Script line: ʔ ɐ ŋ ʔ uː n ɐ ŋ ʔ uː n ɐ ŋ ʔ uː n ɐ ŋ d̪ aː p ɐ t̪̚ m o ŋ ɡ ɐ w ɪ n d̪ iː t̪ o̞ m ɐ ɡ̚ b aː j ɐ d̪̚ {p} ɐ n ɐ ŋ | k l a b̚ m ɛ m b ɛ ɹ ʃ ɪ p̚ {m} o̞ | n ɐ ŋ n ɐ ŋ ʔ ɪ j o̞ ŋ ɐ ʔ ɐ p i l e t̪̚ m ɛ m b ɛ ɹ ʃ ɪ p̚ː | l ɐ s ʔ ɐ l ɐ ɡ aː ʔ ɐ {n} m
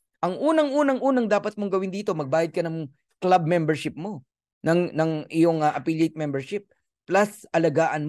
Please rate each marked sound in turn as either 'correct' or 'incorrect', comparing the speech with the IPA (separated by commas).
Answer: incorrect, correct, correct